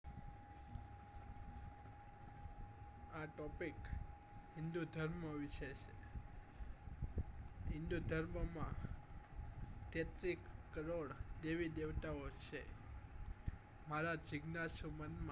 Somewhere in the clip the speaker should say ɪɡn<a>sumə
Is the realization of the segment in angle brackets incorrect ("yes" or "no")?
no